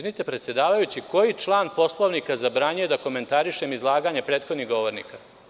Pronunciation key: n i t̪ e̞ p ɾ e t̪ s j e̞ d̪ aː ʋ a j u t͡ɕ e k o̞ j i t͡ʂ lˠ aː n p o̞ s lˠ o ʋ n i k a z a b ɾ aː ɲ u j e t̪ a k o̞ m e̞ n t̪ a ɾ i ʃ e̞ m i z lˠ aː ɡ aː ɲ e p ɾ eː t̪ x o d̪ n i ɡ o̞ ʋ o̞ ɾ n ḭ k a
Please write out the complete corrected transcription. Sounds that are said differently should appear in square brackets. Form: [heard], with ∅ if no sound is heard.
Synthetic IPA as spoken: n i t̪ e̞ p ɾ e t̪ s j e̞ d̪ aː ʋ a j u t͡ɕ [i] k o̞ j i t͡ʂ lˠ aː n p o̞ s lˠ o ʋ n i k a z a b ɾ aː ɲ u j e [d̪] a k o̞ m e̞ n t̪ a ɾ i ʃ e̞ m i z lˠ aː ɡ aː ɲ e p ɾ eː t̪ x o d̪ n i ɡ o̞ ʋ o̞ ɾ n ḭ k a

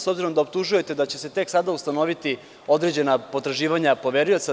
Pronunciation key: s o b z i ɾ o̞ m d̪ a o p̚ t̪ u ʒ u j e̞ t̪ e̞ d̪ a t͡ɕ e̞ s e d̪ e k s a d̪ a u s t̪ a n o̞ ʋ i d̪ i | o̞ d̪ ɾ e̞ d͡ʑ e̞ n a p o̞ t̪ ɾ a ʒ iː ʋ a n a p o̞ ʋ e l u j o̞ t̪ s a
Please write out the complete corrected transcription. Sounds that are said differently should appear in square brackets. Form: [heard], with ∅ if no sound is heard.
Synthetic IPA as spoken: s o b z i ɾ o̞ m d̪ a o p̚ t̪ u ʒ u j e̞ t̪ e̞ d̪ a t͡ɕ e̞ s e [t̪] e k s a d̪ a u s t̪ a n o̞ ʋ i [t̪] i | o̞ d̪ ɾ e̞ d͡ʑ e̞ n a p o̞ t̪ ɾ a ʒ iː ʋ a [ɲ] a p o̞ ʋ e [ɾ] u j o̞ t̪ s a

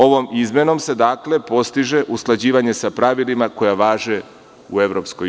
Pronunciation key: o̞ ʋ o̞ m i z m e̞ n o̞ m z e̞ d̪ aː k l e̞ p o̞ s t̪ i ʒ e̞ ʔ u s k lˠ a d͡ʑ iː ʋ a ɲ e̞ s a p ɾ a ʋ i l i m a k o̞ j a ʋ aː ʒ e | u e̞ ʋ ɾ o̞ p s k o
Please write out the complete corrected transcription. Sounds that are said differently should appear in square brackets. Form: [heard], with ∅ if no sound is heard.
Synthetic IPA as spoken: o̞ ʋ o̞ m i z m e̞ n o̞ m [s] e̞ d̪ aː k l e̞ p o̞ s t̪ i ʒ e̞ ʔ u s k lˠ a d͡ʑ iː ʋ a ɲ e̞ s a p ɾ a ʋ i l i m a k o̞ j a ʋ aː ʒ e | u e̞ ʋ ɾ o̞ p s k o

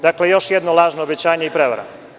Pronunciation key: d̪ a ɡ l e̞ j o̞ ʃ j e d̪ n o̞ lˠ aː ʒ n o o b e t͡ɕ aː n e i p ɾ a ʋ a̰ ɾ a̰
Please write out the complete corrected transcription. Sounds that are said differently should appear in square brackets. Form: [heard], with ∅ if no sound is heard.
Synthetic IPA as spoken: d̪ a [k] l e̞ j o̞ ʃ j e d̪ n o̞ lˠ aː ʒ n o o b e t͡ɕ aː [ɲ] e i p ɾ [e] ʋ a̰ ɾ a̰

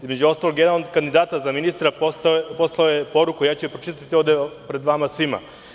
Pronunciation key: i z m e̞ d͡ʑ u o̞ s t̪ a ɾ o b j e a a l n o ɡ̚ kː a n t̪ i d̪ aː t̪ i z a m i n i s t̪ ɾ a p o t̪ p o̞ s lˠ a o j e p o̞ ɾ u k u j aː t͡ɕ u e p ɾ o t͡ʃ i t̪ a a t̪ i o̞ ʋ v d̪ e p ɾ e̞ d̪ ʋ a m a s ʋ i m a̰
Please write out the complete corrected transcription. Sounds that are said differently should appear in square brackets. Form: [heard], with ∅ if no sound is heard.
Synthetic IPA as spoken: i z m e̞ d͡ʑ u o̞ s t̪ a [l] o [ɡ] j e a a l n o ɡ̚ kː a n [d̪] i d̪ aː t̪ [a] z a m i n i s t̪ ɾ a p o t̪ p o̞ s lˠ a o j e p o̞ ɾ u k u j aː t͡ɕ u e p ɾ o t͡ʃ i t̪ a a t̪ i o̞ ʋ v d̪ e p ɾ e̞ d̪ ʋ a m a s ʋ i m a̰

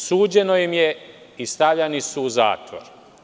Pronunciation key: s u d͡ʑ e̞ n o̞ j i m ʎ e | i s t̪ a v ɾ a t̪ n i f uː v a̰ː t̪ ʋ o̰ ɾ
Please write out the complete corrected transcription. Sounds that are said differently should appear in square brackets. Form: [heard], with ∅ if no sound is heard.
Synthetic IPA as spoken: s [uː] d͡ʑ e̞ n o̞ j i m [j] e | i s t̪ a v [ʎ] a [∅] n i [s] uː [z] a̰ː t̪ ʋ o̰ ɾ

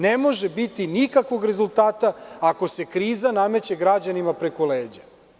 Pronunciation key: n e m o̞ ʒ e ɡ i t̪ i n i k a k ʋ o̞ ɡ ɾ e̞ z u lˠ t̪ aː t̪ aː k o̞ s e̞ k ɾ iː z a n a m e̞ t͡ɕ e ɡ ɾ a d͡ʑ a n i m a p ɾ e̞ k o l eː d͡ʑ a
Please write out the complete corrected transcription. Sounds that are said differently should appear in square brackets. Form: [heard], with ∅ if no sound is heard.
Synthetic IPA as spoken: n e m o̞ ʒ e [b] i t̪ i n i k a k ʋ o̞ ɡ ɾ e̞ z u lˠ t̪ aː t̪ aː k o̞ s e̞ k ɾ iː z a n a m e̞ t͡ɕ e ɡ ɾ a d͡ʑ a n i m a p ɾ e̞ k o l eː d͡ʑ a

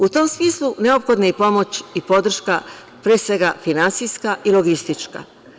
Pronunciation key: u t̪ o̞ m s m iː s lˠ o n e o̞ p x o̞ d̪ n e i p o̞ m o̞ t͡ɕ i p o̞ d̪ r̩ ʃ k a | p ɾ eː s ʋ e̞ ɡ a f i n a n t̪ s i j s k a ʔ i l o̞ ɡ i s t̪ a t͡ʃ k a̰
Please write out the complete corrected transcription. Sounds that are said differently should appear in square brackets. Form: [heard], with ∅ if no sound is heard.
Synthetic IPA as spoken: u t̪ o̞ m s m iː s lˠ [u] n e o̞ p x o̞ d̪ n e i p o̞ m o̞ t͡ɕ i p o̞ d̪ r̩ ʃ k a | p ɾ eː s ʋ e̞ ɡ a f i n a n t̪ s i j s k a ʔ i l o̞ ɡ i s t̪ [i] t͡ʃ k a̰

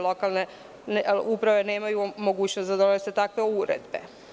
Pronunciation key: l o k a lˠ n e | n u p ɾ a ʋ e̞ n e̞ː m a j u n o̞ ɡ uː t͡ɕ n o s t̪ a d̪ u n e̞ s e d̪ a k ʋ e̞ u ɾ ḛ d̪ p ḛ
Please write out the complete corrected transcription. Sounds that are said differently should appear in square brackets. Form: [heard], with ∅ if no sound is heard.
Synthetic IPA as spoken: l o k a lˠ n e | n u p ɾ a ʋ e̞ n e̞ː m a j u [m] o̞ ɡ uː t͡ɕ n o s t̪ a d̪ [o] n e̞ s e [t̪] a k ʋ e̞ u ɾ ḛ d̪ [b] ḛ

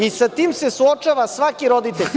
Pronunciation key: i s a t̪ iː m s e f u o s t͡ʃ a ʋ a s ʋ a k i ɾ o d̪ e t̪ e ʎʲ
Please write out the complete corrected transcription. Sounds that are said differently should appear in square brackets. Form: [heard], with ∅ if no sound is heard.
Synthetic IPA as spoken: i s a t̪ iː m s e [s] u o [∅] t͡ʃ a ʋ a s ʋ a k i ɾ o d̪ [i] t̪ e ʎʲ

